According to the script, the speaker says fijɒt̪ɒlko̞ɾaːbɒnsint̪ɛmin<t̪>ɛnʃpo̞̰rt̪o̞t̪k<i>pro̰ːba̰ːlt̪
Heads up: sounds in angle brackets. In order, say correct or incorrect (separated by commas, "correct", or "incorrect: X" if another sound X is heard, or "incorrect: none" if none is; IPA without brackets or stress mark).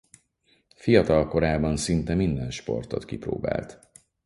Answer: incorrect: d̪, correct